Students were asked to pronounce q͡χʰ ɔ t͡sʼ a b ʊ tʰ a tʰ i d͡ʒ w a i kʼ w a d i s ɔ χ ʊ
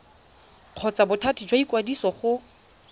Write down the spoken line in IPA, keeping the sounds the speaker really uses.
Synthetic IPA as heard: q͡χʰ ɔ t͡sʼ a b ʊ tʰ a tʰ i d͡ʒ w a i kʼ w a d i s ɔ χ ʊ